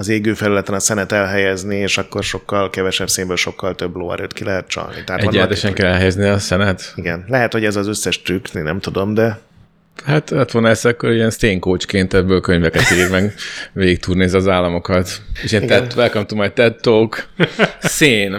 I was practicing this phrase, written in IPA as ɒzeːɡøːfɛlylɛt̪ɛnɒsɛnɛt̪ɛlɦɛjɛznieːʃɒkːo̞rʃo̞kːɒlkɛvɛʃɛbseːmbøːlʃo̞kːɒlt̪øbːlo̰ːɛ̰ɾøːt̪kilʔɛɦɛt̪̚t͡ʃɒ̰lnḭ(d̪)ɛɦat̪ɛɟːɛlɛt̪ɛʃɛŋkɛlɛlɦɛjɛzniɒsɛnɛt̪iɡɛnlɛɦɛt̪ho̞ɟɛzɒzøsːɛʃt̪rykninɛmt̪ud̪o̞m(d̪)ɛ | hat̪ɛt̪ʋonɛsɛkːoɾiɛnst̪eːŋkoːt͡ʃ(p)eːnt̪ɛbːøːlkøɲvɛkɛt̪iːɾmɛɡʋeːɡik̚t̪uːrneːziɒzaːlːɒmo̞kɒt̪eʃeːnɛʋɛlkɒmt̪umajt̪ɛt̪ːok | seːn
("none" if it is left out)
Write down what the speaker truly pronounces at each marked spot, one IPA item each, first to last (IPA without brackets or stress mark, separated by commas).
t̪, d̪, k